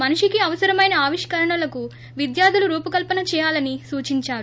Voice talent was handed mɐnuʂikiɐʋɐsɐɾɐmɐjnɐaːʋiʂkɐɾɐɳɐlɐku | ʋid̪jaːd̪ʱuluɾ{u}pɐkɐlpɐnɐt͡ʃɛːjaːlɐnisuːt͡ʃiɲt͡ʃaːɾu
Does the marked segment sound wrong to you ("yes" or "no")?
yes